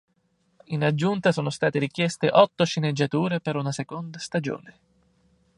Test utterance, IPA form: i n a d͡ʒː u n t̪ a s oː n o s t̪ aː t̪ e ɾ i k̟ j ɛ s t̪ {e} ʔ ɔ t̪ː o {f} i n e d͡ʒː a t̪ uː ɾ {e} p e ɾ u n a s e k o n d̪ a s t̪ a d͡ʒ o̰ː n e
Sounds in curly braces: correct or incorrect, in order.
correct, incorrect: ʃ, correct

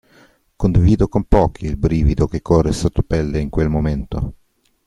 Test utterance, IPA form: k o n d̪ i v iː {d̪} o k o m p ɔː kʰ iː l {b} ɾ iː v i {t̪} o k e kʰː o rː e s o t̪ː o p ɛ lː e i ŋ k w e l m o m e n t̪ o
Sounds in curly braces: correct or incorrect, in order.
correct, correct, incorrect: d̪

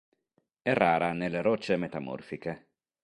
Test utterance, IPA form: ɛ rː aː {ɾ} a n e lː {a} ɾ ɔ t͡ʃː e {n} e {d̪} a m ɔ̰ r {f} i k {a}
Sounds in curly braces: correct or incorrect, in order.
correct, incorrect: e, incorrect: m, incorrect: t̪, correct, incorrect: e

